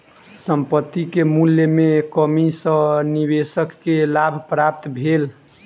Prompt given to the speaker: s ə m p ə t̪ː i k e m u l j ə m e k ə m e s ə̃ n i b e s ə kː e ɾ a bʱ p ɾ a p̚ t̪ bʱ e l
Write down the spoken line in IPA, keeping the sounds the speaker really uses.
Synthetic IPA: s ə m p ə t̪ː i k e m u l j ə m e k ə m i s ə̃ n i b e s ə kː e l a bʱ p ɾ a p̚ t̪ bʱ e l